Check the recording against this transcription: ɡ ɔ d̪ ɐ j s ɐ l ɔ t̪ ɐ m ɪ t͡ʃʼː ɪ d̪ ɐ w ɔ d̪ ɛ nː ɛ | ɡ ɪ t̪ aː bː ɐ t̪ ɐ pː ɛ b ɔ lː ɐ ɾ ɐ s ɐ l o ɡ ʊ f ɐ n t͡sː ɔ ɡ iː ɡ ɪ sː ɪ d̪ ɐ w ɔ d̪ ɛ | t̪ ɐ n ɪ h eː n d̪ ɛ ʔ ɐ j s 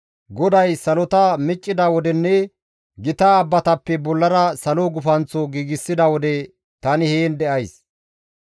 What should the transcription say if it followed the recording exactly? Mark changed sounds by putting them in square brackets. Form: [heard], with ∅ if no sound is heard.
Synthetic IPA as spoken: ɡ ɔ d̪ ɐ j s ɐ l ɔ t̪ ɐ m ɪ t͡ʃʼː ɪ d̪ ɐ w ɔ d̪ ɛ nː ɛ | ɡ ɪ t̪ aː bː ɐ t̪ ɐ pː ɛ b ɔ lː ɐ ɾ ɐ s ɐ l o ɡ ʊ f ɐ n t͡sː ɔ ɡ iː ɡ ɪ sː ɪ d̪ ɐ w ɔ d̪ ɛ | t̪ ɐ n ɪ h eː n d̪ ɛ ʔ ɐ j s